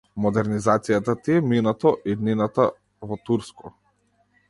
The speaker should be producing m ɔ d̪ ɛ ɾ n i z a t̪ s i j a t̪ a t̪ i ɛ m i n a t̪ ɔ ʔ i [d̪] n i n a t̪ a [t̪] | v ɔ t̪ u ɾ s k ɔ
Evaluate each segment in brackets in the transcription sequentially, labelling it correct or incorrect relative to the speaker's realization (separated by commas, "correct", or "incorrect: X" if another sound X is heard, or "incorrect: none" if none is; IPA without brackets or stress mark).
correct, incorrect: none